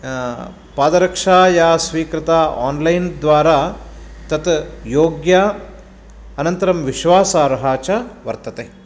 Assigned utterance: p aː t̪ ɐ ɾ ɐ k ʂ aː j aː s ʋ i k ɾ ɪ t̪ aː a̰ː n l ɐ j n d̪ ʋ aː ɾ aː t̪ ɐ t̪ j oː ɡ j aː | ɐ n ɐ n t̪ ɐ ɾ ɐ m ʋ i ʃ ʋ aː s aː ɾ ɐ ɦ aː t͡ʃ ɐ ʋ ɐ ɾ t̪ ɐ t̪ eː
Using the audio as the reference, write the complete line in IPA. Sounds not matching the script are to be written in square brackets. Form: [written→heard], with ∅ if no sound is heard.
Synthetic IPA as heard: p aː [t̪→d̪] ɐ ɾ ɐ k ʂ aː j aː s ʋ [i→iː] k ɾ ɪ t̪ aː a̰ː n l ɐ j n d̪ ʋ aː ɾ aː t̪ ɐ t̪ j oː ɡ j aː | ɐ n ɐ n t̪ ɐ ɾ ɐ m ʋ i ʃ ʋ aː s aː ɾ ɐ ɦ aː t͡ʃ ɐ ʋ ɐ ɾ t̪ ɐ t̪ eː